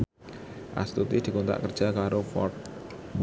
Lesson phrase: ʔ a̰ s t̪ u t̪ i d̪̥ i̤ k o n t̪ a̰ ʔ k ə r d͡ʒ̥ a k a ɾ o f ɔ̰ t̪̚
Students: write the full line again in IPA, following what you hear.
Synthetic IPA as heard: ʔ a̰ s t̪ u t̪ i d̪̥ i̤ k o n t̪ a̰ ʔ k ə r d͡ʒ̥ a k a ɾ o f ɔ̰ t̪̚